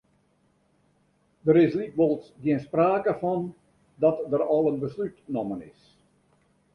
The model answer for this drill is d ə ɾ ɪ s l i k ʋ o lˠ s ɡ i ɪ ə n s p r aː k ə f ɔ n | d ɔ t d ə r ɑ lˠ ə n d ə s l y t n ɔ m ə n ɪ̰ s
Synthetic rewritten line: d ə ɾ ɪ s l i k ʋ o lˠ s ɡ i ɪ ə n s p r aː k ə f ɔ n | d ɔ t d ə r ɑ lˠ ə n b ə s l y t n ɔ m ə n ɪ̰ s